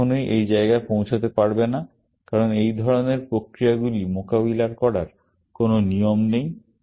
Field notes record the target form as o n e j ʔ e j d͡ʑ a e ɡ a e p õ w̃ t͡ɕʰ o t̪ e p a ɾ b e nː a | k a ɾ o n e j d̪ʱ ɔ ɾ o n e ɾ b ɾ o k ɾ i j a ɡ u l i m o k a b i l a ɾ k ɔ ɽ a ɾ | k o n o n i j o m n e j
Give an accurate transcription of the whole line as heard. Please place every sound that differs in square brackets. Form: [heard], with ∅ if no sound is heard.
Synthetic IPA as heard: o n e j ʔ e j d͡ʑ a e ɡ a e p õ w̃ t͡ɕʰ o t̪ e p a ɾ b e [n] a | k a ɾ o n e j d̪ʱ ɔ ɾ o n e ɾ [p] ɾ o k ɾ i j a ɡ u l i m o k a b i l a ɾ k ɔ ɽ a ɾ | k o n o n i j o m n e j